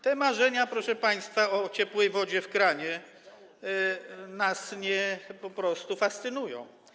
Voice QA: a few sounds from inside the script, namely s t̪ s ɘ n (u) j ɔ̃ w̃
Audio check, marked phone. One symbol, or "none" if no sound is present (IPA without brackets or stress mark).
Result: u